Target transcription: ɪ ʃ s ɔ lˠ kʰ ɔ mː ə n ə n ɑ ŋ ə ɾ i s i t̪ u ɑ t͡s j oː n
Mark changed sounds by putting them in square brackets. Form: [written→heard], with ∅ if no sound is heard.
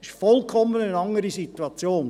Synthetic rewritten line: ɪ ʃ [s→f] ɔ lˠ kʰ ɔ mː ə n ə n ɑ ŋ ə ɾ i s i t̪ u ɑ t͡s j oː n